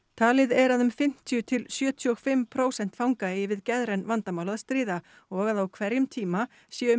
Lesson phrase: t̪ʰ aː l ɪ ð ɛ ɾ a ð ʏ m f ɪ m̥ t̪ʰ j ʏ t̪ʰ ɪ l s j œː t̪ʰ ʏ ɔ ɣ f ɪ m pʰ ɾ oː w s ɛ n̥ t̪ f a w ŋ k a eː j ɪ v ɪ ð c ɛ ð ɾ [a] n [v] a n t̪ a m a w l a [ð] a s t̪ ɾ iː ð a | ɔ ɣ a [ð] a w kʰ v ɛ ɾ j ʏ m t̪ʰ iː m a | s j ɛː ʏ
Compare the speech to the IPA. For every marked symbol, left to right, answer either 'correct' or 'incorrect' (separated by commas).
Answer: incorrect, correct, correct, correct